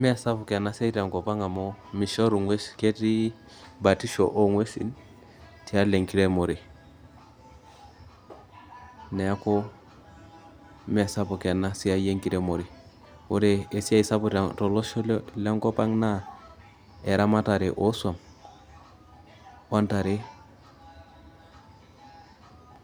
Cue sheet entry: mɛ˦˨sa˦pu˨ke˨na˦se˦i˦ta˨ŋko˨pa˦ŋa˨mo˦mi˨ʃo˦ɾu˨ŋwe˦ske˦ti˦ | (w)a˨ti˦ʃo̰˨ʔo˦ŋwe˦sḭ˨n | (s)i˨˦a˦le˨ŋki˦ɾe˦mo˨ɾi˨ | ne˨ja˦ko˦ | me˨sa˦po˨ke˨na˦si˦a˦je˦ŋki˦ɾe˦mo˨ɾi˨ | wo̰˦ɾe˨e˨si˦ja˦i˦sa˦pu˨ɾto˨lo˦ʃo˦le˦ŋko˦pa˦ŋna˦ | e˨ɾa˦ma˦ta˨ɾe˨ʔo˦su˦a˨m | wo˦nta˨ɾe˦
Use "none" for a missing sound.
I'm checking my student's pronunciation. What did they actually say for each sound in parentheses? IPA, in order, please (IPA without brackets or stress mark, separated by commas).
b, t